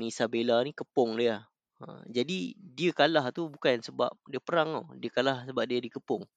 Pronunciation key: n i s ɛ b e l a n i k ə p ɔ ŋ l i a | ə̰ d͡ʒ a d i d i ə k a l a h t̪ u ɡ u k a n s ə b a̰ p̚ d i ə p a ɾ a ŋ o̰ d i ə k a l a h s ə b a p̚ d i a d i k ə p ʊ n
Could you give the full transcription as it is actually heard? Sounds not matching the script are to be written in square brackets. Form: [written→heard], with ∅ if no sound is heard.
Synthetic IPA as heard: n i s [ɛ→a] b e l a n i k ə p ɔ ŋ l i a | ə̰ d͡ʒ a d i d i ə k a l a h t̪ u [ɡ→b] u k a n s ə b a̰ p̚ d i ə p [a→ə] ɾ a ŋ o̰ d i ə k a l a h s ə b a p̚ d i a d i k ə p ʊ [n→ŋ]